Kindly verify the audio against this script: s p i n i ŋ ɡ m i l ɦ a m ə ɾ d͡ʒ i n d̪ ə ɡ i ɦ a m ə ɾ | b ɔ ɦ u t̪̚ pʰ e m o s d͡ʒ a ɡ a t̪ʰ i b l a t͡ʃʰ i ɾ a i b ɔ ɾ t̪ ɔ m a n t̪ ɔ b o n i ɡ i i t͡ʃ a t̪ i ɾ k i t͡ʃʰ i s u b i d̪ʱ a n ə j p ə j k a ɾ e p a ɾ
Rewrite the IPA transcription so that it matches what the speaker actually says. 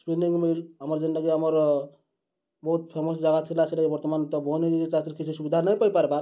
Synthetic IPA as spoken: s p i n i ŋ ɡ m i l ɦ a m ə ɾ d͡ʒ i n d̪ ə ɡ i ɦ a m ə ɾ | b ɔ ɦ u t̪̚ pʰ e m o s d͡ʒ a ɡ a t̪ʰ i l a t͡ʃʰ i l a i b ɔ ɾ t̪ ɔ m a n t̪ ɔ b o n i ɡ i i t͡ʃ a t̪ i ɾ k i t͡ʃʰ i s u b i d̪ʱ a n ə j p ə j p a ɾ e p a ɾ